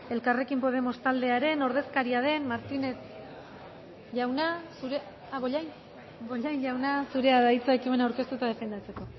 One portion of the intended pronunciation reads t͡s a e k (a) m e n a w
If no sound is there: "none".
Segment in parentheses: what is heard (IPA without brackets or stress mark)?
i